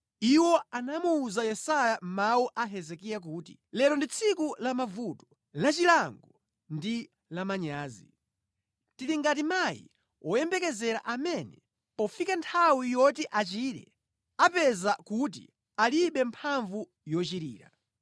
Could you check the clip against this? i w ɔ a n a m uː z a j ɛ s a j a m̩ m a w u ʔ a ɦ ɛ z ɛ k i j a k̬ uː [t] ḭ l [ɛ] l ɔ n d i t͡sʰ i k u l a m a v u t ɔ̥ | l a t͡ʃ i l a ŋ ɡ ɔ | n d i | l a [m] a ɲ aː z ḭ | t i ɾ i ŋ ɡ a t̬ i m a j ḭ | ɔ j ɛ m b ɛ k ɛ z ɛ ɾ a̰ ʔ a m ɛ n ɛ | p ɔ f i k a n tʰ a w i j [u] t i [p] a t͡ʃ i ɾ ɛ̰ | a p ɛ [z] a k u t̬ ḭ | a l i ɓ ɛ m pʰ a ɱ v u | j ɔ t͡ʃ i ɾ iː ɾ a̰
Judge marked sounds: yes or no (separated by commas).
yes, yes, yes, no, no, yes